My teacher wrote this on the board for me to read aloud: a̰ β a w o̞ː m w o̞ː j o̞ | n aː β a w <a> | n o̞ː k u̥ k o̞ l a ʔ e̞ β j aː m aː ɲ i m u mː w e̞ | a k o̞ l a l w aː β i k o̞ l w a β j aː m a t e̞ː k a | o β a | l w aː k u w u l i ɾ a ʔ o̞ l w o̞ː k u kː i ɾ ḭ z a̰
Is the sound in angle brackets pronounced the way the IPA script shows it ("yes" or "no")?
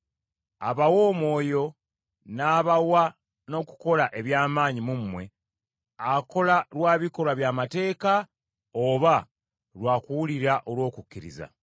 yes